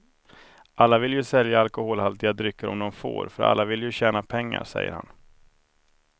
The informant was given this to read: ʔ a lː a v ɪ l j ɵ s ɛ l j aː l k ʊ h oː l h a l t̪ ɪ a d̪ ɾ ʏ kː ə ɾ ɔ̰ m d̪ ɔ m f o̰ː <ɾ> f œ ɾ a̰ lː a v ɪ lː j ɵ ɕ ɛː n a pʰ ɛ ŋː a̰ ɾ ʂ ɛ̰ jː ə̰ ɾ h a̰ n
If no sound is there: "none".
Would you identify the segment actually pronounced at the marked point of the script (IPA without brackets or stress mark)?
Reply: ɾ